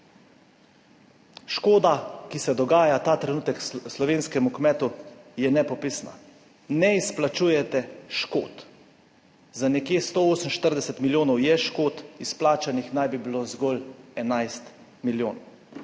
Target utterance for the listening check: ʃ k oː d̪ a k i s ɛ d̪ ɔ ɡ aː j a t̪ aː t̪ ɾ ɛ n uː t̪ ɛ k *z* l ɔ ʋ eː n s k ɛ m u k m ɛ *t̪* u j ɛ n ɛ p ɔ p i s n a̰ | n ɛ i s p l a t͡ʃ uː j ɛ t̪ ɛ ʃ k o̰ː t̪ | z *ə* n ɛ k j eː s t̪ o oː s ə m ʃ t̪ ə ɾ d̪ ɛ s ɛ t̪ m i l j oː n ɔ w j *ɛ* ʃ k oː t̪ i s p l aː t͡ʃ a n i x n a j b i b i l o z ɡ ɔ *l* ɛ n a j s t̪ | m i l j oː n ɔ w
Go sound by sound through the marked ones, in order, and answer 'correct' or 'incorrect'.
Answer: incorrect: s, correct, incorrect: a, correct, correct

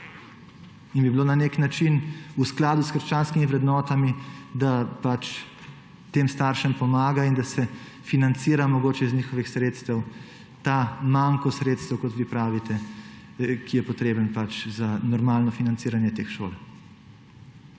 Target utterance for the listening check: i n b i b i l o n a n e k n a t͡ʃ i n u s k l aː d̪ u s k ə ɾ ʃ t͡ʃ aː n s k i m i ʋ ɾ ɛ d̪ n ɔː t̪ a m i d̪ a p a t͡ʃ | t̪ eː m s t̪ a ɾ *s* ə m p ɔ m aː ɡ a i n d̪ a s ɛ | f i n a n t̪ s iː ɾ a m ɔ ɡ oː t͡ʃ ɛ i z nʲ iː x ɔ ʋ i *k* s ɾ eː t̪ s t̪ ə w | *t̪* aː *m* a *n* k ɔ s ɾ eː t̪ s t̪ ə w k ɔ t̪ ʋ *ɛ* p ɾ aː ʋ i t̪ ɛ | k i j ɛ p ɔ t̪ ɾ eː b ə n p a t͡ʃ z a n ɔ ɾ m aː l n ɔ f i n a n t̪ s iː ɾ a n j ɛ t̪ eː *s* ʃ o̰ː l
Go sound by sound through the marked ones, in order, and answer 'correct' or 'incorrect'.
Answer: incorrect: ʃ, incorrect: x, correct, correct, incorrect: ŋ, incorrect: i, incorrect: x

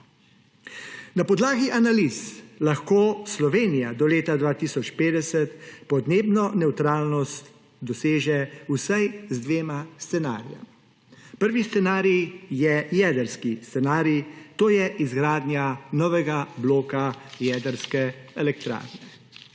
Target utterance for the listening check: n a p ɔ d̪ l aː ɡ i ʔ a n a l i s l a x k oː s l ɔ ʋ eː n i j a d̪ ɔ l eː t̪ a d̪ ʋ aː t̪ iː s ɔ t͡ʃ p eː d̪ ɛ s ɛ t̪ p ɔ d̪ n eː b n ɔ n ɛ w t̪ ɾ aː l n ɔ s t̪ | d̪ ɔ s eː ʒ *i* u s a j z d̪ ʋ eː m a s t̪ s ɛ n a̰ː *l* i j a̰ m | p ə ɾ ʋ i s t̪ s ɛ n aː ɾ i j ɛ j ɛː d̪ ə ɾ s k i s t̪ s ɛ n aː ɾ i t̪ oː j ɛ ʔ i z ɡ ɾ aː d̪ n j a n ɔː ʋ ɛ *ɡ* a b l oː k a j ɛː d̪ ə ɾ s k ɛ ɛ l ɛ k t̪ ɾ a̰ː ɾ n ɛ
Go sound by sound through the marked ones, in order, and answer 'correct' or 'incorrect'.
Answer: incorrect: ɛ, incorrect: ɾ, correct

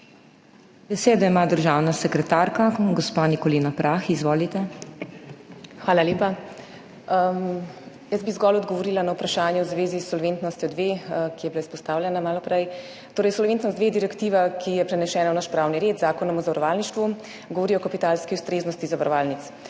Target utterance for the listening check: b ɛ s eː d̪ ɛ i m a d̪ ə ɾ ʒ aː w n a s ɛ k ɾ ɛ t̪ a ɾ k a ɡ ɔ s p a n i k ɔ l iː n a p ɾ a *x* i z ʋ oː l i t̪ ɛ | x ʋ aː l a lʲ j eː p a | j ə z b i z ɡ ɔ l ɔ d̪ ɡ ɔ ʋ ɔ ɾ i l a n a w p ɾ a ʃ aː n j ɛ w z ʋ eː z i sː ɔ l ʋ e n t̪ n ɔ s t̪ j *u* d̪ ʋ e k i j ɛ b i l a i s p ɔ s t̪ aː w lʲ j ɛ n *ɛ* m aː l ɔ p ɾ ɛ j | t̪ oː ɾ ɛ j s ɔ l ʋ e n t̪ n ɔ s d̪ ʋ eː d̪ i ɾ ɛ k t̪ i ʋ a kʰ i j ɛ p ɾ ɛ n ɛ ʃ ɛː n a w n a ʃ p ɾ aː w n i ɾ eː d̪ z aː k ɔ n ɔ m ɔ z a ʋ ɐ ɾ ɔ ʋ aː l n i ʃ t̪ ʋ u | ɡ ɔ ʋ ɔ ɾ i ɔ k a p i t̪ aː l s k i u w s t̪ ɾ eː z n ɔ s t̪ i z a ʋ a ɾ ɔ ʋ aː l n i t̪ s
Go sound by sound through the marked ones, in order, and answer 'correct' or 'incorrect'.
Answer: correct, incorrect: ɔ, incorrect: a

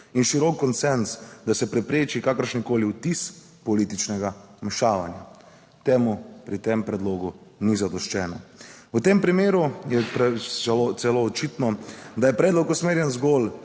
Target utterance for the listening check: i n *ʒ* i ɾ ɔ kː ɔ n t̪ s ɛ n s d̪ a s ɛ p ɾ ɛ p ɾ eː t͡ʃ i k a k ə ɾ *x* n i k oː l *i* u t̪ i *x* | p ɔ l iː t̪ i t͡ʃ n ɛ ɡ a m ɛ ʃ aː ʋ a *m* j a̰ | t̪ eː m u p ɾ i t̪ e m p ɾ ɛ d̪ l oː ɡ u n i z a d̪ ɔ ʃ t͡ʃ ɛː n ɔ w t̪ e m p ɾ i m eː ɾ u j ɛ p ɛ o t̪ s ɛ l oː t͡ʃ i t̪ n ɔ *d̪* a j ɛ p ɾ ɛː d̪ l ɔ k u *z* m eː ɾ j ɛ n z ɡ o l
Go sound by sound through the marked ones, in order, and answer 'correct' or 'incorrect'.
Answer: incorrect: ʃ, incorrect: ʃ, correct, incorrect: s, incorrect: n, correct, incorrect: s

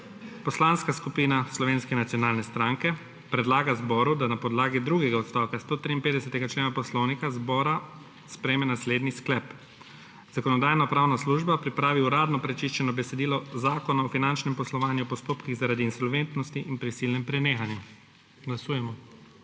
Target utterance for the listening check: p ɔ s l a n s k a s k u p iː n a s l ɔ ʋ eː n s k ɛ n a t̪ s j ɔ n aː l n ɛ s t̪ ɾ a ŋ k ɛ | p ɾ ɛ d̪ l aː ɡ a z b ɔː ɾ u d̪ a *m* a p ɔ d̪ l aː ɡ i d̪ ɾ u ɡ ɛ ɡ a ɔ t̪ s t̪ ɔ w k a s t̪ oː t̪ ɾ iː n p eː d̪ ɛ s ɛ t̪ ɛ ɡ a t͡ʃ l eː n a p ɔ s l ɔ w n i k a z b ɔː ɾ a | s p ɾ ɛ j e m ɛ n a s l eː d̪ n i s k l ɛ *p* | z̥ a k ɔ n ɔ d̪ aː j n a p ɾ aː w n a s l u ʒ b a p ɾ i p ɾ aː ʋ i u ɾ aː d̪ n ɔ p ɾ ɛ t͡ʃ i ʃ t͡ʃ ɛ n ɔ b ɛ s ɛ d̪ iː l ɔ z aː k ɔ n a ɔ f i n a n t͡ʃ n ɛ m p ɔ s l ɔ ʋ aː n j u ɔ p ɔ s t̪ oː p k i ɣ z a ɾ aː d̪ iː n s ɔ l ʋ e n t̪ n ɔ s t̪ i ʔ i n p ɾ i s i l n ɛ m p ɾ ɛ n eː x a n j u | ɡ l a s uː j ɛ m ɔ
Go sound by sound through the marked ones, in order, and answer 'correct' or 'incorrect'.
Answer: incorrect: n, correct

